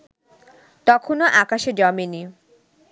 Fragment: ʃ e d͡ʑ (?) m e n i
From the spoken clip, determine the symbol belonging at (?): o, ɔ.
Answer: ɔ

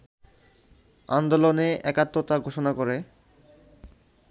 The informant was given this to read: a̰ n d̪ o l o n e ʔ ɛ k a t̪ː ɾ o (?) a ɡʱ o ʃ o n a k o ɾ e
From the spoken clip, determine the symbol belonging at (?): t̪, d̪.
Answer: t̪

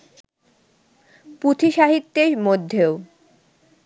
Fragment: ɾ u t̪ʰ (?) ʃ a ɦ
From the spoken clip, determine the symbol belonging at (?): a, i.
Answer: i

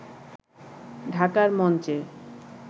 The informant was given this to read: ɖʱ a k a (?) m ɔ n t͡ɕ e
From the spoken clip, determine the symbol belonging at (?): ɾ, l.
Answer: ɾ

